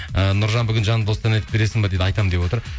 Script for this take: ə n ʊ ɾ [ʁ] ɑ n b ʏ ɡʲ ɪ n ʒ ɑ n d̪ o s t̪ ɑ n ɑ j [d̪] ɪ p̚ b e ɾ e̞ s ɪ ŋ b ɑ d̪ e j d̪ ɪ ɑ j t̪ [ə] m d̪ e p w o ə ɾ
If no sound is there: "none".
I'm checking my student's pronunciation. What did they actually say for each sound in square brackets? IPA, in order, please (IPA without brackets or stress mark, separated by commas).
ʒ, t̪, ɑ